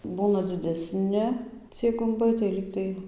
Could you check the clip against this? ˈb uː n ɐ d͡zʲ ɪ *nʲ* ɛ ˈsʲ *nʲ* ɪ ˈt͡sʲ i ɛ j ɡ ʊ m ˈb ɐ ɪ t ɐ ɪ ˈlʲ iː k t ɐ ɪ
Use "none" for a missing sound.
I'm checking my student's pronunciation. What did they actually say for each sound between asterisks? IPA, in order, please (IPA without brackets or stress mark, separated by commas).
dʲ, nʲ